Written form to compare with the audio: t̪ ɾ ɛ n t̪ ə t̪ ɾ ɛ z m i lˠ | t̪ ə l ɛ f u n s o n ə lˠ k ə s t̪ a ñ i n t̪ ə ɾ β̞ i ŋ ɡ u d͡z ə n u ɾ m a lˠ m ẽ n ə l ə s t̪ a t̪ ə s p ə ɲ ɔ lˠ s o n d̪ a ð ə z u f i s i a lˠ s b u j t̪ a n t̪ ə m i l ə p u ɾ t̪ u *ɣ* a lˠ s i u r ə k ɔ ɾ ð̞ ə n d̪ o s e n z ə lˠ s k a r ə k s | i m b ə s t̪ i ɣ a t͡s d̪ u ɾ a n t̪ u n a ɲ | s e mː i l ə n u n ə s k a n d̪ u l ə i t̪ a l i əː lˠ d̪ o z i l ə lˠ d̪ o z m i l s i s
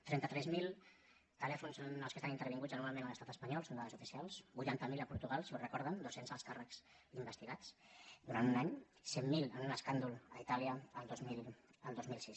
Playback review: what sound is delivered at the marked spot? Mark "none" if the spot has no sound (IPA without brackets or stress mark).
ɣ